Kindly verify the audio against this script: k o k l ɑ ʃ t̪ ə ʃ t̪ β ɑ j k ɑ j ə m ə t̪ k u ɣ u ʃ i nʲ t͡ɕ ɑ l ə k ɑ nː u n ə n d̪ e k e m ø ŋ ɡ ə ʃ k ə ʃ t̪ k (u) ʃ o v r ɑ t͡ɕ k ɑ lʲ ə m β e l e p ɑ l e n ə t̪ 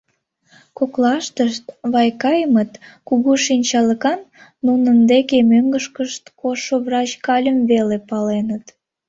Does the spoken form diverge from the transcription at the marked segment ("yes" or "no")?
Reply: yes